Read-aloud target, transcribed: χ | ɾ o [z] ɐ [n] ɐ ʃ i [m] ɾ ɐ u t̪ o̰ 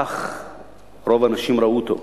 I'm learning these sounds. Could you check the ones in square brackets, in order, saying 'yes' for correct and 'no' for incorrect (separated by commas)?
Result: no, yes, yes